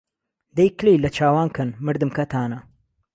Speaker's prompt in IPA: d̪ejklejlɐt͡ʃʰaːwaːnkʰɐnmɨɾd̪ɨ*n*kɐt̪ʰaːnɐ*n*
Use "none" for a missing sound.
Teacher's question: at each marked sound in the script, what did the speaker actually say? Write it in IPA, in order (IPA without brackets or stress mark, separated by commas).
m, none